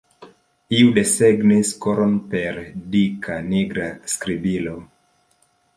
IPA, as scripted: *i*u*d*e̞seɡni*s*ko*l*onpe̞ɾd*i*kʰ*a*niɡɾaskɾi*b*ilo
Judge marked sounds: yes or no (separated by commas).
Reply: yes, yes, yes, no, yes, yes, yes